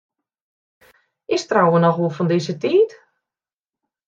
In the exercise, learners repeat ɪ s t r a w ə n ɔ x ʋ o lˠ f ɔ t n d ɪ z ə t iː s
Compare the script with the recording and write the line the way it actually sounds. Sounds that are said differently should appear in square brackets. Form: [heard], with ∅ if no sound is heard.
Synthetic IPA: ɪ s t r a w ə n ɔ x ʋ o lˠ f ɔ [∅] n d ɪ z ə t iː [t]